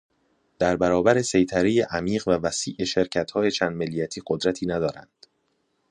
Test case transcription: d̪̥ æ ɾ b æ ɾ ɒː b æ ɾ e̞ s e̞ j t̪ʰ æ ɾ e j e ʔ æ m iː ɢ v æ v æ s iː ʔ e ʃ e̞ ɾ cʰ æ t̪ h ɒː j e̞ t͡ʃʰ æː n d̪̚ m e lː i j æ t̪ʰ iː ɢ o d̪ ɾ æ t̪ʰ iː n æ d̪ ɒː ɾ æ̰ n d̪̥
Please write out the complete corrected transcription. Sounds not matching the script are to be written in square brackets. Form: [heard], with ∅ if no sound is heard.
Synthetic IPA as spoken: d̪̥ æ ɾ b æ ɾ ɒː b æ ɾ e̞ s e̞ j t̪ʰ æ ɾ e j e ʔ æ m iː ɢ v æ v æ s iː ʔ e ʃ e̞ ɾ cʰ æ t̪ h ɒː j e̞ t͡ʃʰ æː n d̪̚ m e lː i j æ t̪ʰ iː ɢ o d̪ ɾ æ t̪ʰ iː n æ d̪ ɒː ɾ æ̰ n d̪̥

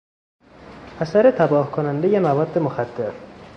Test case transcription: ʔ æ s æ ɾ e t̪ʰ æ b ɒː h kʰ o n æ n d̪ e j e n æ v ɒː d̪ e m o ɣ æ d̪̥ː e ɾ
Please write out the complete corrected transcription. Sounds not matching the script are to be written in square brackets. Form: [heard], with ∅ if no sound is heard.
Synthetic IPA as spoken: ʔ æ s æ ɾ e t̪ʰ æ b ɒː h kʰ o n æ n d̪ e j e [m] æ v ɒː [d̪ː] e m o [x] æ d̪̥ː e ɾ

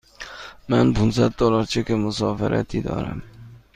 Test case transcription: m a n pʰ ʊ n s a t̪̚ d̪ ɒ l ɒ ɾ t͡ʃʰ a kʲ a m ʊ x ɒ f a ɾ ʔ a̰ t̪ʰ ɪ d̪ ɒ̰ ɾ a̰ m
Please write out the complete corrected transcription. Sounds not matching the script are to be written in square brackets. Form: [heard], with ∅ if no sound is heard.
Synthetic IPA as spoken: m a n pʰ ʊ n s a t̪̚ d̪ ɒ l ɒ ɾ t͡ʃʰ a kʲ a m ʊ [s] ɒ f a ɾ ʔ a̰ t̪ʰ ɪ d̪ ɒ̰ ɾ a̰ m

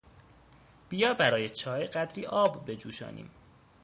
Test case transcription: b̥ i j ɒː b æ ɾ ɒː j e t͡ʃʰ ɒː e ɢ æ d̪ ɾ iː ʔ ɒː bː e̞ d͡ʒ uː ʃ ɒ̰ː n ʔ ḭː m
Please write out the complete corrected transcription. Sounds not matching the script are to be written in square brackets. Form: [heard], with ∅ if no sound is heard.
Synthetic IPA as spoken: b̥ i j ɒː b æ ɾ ɒː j e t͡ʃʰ ɒː e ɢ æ d̪ ɾ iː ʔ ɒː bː e̞ d͡ʒ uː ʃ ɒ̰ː n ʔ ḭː m

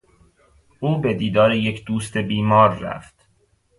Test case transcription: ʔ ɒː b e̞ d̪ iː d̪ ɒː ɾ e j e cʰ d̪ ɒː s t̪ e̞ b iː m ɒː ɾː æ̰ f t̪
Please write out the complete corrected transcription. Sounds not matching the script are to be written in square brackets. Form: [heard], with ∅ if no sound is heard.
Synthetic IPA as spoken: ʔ [uː] b e̞ d̪ iː d̪ ɒː ɾ e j e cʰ d̪ [uː] s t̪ e̞ b iː m ɒː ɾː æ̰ f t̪

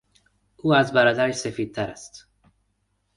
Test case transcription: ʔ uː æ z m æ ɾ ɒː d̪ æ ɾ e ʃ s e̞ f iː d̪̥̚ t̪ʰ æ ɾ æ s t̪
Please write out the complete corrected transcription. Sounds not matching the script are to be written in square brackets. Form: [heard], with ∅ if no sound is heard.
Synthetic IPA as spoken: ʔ uː æ z [b] æ ɾ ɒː d̪ æ ɾ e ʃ s e̞ f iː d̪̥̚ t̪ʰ æ ɾ æ s t̪

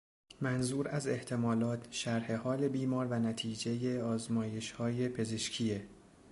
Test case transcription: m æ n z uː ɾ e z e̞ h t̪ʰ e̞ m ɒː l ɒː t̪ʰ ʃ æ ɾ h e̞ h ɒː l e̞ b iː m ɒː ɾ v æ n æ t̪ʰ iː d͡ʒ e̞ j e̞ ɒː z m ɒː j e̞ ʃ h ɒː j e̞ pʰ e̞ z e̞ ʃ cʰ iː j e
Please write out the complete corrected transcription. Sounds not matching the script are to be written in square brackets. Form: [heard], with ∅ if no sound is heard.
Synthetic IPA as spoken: m æ n z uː ɾ [æ] z e̞ h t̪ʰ e̞ m ɒː l ɒː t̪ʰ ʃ æ ɾ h e̞ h ɒː l e̞ b iː m ɒː ɾ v æ n æ t̪ʰ iː d͡ʒ e̞ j e̞ ɒː z m ɒː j e̞ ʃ h ɒː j e̞ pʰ e̞ z e̞ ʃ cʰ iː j e

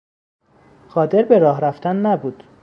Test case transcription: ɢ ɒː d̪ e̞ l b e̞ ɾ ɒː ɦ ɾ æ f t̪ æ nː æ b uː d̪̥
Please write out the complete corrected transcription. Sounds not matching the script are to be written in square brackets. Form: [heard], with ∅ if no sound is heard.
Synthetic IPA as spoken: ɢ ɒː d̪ e̞ [ɾ] b e̞ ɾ ɒː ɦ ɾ æ f t̪ æ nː æ b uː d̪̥

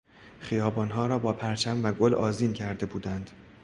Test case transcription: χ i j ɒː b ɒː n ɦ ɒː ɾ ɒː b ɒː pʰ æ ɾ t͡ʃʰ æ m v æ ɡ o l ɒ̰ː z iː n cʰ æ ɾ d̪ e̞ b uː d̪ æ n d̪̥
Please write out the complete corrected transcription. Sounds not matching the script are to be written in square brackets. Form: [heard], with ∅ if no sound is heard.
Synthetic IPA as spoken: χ i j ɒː b ɒː n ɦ ɒː ɾ ɒː b ɒː pʰ æ ɾ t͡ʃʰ æ m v æ ɡ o l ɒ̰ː z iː n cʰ æ ɾ d̪ e̞ b uː d̪ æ n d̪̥

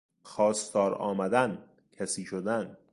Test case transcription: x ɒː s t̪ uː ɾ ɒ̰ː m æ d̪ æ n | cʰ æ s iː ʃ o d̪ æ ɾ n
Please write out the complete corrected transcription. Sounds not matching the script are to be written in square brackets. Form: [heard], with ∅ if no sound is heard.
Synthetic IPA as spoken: x ɒː s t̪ [ɒː] ɾ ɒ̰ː m æ d̪ æ n | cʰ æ s iː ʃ o d̪ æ [∅] n

